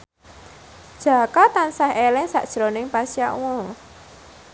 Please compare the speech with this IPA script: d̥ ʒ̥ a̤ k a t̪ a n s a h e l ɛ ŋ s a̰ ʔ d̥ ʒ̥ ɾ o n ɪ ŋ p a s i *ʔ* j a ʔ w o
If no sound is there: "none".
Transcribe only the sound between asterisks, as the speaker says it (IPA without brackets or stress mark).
none